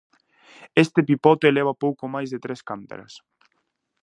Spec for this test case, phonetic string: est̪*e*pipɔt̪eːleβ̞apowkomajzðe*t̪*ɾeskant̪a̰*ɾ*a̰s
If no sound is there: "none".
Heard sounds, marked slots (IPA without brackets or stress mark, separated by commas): e, t̪, ɾ